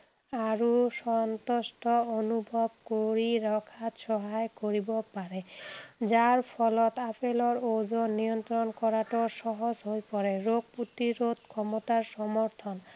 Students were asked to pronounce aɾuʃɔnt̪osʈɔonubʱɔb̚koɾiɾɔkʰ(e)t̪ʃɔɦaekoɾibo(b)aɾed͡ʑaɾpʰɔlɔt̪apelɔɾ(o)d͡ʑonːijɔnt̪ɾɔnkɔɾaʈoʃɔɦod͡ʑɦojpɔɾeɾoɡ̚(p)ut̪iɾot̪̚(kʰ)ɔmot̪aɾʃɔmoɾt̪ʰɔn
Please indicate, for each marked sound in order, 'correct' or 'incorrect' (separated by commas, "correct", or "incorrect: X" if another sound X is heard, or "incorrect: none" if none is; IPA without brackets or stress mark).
incorrect: a, incorrect: p, correct, correct, correct